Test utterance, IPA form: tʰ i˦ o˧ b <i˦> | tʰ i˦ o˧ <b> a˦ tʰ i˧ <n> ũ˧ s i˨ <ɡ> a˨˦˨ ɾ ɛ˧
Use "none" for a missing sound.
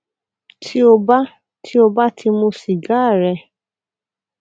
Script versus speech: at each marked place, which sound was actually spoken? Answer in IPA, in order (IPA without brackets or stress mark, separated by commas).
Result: a˦, b, m, ɡ